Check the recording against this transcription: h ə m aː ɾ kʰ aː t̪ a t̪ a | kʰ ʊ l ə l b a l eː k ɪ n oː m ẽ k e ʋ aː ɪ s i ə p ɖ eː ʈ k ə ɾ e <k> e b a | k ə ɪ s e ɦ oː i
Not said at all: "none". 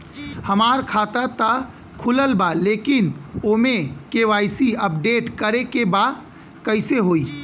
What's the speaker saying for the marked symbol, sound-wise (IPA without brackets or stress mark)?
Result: k